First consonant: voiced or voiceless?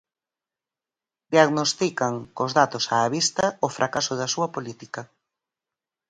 voiced